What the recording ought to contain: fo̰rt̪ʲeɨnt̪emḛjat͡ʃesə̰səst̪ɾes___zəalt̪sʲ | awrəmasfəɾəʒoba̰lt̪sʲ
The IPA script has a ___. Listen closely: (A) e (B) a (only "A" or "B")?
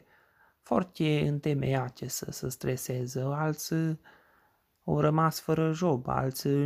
A